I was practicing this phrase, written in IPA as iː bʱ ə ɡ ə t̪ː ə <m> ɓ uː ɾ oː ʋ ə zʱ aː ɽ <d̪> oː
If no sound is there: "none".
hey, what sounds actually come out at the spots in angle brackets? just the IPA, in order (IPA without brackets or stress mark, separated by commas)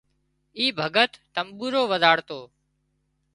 m, t̪